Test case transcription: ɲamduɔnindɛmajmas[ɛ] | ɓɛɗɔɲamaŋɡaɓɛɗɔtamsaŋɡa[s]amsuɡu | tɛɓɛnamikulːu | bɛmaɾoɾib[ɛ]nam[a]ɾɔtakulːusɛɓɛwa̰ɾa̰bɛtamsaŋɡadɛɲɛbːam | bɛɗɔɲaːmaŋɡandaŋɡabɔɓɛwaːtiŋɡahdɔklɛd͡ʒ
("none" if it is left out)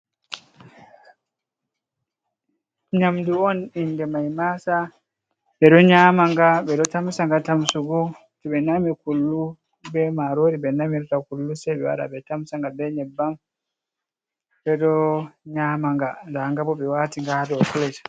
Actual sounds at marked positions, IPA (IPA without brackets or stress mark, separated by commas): a, t, ɛ, i